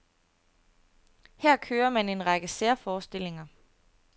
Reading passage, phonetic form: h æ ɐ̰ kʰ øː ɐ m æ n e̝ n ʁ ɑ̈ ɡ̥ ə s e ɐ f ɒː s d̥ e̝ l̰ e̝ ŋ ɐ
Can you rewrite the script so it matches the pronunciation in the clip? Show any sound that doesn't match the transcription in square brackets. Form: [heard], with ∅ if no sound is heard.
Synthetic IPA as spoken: h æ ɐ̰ kʰ øː ɐ m æ n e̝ n ʁ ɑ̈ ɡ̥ ə s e ɐ f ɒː s d̥ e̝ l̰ e̝ ŋ ɐ